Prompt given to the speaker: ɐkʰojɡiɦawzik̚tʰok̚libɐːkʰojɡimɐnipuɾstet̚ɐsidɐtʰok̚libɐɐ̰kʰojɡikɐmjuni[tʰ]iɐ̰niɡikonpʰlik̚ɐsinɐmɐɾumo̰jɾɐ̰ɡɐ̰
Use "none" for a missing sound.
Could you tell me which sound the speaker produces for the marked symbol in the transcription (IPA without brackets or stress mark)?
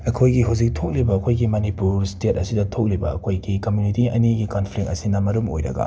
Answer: t